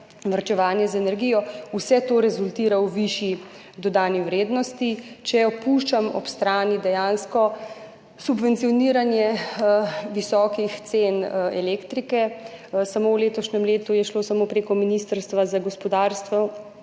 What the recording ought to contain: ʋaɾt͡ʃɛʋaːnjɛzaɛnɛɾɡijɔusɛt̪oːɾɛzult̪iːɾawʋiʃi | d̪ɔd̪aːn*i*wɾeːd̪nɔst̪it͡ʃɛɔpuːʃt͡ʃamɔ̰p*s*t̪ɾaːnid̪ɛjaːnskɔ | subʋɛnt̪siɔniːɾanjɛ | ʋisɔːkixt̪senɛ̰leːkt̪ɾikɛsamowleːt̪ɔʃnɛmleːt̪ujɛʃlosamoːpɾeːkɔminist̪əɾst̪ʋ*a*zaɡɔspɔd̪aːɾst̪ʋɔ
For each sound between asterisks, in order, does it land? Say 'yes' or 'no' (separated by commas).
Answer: yes, yes, yes